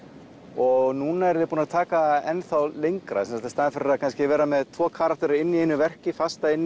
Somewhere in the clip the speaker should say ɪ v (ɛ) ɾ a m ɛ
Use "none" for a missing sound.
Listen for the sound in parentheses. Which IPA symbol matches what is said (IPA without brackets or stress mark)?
ɛː